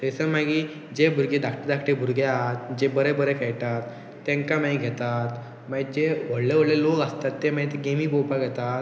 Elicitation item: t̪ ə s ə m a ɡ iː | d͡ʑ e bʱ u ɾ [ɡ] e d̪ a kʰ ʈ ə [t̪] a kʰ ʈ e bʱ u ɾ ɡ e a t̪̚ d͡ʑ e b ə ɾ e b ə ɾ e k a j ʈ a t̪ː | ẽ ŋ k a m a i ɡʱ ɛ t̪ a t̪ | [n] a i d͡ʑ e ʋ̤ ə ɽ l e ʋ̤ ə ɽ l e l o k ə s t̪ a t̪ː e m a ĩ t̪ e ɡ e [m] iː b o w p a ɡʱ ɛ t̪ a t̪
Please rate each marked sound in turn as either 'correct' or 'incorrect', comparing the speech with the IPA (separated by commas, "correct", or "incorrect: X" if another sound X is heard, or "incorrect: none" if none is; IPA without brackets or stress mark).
correct, incorrect: d̪, incorrect: m, correct